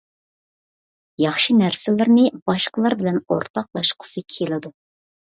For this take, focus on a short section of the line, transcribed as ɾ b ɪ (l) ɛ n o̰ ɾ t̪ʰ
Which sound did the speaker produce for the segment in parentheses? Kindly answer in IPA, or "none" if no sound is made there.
l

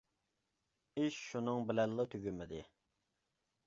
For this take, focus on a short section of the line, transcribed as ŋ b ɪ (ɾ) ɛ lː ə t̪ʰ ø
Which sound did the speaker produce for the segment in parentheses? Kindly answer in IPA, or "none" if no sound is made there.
l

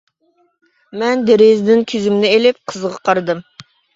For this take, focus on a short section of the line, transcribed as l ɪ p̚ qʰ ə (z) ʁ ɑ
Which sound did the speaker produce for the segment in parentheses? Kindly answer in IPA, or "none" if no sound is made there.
z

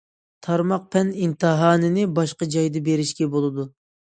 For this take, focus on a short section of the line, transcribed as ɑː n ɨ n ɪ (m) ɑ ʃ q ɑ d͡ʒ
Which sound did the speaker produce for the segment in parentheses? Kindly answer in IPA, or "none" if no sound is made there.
b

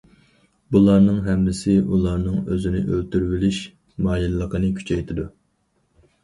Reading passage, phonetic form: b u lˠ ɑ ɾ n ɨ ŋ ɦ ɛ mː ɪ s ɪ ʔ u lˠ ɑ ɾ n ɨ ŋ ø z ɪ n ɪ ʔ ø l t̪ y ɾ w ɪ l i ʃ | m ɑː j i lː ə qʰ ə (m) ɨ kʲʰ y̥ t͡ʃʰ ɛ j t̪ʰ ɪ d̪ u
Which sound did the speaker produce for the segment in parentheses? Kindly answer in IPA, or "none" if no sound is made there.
n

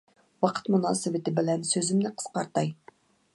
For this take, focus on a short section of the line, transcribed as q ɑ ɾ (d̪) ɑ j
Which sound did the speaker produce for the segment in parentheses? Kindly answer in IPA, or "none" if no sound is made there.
t̪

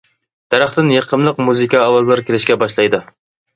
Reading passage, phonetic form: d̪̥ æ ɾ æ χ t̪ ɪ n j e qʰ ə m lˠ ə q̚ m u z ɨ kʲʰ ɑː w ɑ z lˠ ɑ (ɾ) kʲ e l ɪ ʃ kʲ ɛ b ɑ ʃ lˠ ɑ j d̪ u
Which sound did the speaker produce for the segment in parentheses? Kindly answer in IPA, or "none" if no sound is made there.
ɾ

